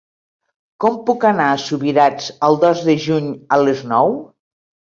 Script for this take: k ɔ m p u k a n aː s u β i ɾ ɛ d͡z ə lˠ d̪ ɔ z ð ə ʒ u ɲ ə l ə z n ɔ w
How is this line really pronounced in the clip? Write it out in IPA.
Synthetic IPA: k ɔ m p u k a n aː s u β i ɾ a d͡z ə lˠ d̪ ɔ z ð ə ʒ u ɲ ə l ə z n ɔ w